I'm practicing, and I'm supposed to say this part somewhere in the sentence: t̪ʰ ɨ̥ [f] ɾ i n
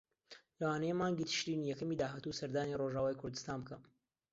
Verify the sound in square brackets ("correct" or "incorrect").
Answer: incorrect